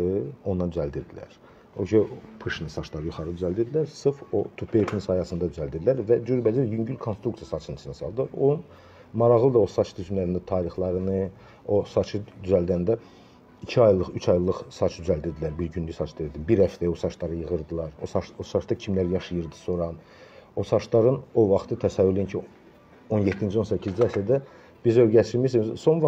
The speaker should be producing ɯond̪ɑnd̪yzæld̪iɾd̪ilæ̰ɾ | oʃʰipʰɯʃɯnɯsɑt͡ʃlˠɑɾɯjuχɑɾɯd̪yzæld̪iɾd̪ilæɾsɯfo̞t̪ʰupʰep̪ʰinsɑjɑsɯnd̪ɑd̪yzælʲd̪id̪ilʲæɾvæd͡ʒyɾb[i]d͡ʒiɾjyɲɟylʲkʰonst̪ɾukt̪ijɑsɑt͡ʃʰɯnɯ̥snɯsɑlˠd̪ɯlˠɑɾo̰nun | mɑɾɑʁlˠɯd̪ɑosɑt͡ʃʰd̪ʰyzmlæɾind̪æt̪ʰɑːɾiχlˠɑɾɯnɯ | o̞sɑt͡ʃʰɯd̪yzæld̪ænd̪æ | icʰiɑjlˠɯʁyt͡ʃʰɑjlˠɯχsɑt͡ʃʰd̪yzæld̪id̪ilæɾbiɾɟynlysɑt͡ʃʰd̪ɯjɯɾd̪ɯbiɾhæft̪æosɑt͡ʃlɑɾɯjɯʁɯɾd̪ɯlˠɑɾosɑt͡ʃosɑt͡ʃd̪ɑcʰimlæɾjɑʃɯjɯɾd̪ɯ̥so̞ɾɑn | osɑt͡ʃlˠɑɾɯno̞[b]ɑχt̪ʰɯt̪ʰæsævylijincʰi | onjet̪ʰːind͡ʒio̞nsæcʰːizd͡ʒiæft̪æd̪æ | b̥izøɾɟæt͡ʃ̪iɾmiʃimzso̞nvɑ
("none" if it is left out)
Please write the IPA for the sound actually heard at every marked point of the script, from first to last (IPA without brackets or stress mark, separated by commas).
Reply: æ, v